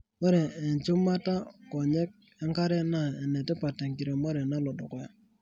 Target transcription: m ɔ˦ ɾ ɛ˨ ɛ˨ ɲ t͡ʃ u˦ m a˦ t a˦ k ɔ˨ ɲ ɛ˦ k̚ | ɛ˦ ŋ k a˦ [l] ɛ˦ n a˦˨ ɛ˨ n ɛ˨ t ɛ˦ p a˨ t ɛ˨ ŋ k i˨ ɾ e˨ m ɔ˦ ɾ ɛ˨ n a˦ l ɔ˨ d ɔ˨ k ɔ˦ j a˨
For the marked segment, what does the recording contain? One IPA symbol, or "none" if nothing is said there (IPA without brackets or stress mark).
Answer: ɾ